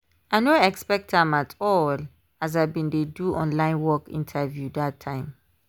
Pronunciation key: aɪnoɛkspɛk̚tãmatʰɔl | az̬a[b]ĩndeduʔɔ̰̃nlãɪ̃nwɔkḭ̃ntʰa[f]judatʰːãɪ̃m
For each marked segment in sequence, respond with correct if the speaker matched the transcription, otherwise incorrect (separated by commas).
correct, incorrect